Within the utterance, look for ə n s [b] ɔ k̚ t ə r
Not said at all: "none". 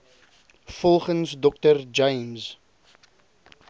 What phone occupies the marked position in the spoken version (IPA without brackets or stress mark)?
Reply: d